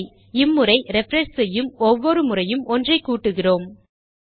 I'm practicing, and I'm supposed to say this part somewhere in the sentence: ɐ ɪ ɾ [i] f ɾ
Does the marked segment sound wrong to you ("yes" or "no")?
yes